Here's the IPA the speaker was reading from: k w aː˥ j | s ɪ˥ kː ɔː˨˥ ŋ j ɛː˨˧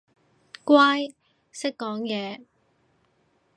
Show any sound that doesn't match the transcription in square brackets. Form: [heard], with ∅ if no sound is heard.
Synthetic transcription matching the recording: k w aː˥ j | s ɪ˥ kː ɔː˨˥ ŋ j ɛː˨˧